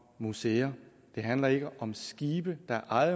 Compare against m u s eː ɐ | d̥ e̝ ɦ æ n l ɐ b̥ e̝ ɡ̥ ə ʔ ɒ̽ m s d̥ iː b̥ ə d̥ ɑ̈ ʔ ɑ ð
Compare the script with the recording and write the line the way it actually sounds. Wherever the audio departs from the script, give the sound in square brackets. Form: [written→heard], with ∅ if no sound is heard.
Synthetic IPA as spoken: m u s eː ɐ | d̥ e̝ ɦ æ n l ɐ [b̥→∅] e̝ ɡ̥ ə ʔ ɒ̽ m s [d̥→ɡ̥] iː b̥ ə d̥ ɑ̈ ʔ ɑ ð